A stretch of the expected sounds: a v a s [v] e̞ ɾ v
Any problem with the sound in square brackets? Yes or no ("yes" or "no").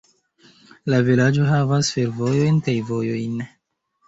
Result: yes